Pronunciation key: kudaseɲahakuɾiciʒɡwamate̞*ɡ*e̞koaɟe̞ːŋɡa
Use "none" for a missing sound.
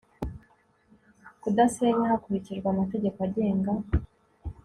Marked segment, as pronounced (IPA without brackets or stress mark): ɟ